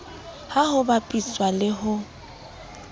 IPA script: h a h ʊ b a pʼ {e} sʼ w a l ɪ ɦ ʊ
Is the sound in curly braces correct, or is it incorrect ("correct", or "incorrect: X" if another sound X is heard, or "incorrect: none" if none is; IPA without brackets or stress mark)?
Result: incorrect: i